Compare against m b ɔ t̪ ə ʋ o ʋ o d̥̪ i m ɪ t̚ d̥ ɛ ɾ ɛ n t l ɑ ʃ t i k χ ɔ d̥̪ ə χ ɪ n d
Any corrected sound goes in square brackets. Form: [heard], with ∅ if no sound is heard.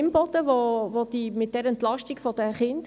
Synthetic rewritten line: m b ɔ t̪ ə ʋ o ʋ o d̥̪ i m ɪ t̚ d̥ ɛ ɾ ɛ n t l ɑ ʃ t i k [f] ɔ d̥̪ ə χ ɪ n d